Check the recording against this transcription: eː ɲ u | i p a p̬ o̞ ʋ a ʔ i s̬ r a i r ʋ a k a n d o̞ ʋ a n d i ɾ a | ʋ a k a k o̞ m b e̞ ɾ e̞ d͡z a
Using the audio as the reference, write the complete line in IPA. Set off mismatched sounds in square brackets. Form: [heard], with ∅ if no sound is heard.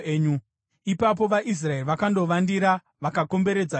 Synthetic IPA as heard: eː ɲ u | i p a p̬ o̞ ʋ a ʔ i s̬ r a [e] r ʋ a k a n d o̞ ʋ a n d i ɾ a | ʋ a k a k o̞ m b e̞ ɾ e̞ d͡z a